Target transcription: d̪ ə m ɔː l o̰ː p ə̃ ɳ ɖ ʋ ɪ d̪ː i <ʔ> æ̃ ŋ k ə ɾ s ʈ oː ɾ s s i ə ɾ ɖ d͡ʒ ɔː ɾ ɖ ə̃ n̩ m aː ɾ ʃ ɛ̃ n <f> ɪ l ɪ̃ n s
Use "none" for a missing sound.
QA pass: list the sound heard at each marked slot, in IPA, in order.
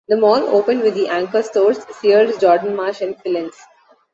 ʔ, f

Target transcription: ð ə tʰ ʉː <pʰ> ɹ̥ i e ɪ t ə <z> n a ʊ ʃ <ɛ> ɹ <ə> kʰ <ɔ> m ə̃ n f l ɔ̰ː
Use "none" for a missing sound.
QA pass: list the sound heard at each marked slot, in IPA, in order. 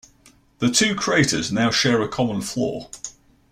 kʰ, z, ɛː, ə, ɒ

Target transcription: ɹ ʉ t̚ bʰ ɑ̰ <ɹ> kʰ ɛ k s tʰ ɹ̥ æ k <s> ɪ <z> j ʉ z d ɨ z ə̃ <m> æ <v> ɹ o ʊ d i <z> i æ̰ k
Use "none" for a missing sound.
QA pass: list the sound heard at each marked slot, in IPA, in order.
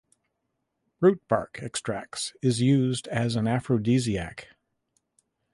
ɹ, s, z, n, f, z

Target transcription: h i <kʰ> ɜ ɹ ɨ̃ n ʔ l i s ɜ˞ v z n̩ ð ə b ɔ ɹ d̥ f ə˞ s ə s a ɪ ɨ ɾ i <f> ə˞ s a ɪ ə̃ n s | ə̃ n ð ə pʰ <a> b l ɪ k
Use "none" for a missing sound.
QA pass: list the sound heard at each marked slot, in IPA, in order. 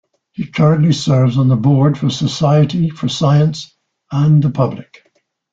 kʰ, f, ʌ

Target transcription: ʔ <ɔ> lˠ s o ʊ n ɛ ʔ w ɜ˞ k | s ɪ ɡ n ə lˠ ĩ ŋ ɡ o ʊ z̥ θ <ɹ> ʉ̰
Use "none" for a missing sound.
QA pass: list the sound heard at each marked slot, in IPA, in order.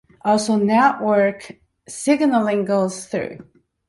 ɔ, ɹ

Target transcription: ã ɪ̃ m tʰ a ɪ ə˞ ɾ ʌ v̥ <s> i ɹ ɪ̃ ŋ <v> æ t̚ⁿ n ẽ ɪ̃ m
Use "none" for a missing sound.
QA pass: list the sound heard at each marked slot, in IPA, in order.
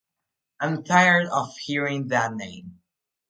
h, ð

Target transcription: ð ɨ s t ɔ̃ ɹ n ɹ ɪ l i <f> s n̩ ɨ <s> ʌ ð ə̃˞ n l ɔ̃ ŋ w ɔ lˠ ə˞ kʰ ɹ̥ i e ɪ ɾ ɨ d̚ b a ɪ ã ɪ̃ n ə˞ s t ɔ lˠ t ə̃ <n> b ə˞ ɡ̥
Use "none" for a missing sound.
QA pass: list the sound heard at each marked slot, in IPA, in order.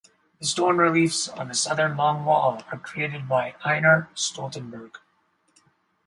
f, s, n

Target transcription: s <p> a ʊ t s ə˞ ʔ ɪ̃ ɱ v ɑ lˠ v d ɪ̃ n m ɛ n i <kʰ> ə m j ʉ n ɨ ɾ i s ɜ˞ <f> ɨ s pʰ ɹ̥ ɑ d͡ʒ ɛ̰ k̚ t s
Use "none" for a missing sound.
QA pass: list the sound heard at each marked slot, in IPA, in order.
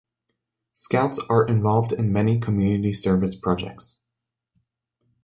k, kʰ, v

